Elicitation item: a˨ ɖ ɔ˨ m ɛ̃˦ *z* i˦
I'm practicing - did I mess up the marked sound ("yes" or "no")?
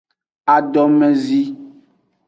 no